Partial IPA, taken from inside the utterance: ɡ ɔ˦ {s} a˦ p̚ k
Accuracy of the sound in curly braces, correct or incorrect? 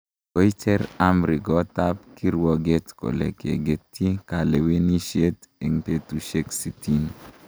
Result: incorrect